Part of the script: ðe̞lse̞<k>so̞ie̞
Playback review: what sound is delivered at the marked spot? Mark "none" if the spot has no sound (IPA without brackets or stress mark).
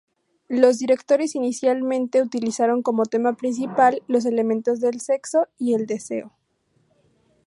k